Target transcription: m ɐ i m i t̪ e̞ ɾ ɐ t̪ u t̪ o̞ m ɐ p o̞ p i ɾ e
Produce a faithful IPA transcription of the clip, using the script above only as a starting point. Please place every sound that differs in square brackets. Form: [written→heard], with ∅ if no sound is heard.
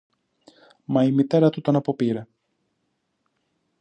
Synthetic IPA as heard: m ɐ i m i t̪ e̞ ɾ ɐ t̪ u t̪ o̞ [m→n] ɐ p o̞ p i ɾ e